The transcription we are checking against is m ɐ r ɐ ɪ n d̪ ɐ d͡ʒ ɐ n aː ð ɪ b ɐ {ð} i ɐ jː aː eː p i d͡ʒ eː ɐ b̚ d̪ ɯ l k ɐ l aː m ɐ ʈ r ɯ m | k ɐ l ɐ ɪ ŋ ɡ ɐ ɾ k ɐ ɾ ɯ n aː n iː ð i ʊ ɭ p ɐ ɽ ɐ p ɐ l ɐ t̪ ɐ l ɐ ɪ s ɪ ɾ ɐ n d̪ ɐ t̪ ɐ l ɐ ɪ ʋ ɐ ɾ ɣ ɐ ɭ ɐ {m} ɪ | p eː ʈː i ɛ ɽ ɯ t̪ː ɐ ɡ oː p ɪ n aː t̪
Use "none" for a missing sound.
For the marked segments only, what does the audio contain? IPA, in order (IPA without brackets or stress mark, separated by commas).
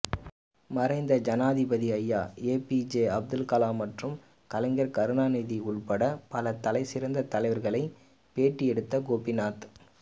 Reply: ð, none